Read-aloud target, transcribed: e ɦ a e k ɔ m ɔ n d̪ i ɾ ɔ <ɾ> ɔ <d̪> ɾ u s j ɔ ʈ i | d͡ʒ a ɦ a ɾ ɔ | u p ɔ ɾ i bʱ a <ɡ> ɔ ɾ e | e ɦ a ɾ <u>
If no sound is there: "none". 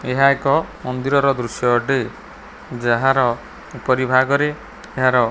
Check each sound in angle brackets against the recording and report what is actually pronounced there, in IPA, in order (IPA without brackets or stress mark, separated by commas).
ɾ, d̪, ɡ, ɔ